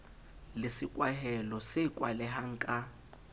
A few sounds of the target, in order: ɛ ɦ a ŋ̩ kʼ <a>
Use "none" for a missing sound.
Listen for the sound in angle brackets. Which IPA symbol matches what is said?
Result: a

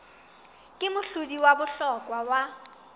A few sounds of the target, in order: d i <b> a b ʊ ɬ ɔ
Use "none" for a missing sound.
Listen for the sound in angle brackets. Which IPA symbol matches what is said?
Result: w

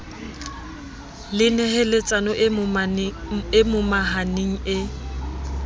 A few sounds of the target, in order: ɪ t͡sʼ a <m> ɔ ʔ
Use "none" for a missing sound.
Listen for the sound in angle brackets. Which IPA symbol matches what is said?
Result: n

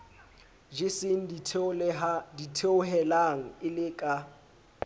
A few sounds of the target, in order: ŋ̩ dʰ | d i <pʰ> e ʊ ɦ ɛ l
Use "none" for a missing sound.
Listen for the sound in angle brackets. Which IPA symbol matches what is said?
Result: tʰ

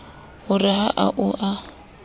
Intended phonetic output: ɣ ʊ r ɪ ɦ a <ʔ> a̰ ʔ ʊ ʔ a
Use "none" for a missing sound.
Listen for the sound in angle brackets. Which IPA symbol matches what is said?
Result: ʔ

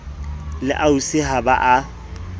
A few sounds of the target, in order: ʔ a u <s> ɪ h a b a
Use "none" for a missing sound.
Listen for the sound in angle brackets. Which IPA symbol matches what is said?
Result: s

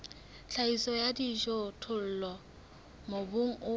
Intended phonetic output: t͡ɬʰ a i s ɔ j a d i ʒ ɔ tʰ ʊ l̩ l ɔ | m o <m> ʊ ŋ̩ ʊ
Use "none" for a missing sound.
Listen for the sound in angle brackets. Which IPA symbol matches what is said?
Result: b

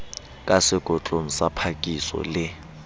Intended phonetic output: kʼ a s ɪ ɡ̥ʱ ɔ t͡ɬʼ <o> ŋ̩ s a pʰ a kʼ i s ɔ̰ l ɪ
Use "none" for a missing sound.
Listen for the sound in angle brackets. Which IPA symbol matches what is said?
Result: o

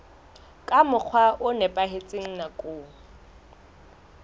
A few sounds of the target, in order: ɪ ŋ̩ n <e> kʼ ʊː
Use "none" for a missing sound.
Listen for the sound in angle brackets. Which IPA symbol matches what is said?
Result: a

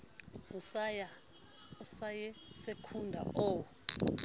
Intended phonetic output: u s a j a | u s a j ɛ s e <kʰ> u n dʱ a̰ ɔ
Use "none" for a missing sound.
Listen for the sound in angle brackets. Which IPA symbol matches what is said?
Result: kʰ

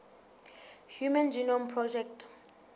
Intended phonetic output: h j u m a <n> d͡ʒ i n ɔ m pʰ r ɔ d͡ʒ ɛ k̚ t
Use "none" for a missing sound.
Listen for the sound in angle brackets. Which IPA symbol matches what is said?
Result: n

